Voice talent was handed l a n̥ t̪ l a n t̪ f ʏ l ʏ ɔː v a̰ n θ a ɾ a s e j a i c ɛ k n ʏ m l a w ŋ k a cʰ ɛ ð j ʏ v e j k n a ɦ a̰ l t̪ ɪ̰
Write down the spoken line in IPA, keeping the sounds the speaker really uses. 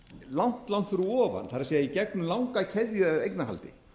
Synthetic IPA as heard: l a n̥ t̪ l a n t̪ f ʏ ɾ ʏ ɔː v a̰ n θ a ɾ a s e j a i c ɛ k n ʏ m l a w ŋ k a cʰ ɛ ð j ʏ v e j k n a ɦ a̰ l t̪ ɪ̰